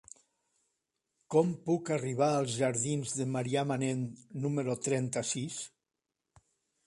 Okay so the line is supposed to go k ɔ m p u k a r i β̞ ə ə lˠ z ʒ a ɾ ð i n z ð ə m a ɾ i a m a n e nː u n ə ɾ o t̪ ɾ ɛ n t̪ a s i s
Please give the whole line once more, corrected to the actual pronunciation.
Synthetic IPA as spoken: k ɔ m p u k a r i β̞ a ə lˠ z ʒ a ɾ ð i n z ð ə m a ɾ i a m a n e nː u m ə ɾ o t̪ ɾ ɛ n t̪ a s i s